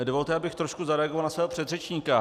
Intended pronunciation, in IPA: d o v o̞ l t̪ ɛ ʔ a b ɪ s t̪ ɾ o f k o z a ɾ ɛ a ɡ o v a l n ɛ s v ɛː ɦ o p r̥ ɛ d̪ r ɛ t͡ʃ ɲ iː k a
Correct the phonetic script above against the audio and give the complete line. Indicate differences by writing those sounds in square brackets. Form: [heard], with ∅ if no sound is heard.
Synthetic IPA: d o v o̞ l t̪ ɛ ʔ a b ɪ [x] t̪ ɾ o [ʃ] k [u] z a ɾ ɛ a ɡ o v a l n [a] s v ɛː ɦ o p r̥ ɛ d̪ r ɛ t͡ʃ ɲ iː k a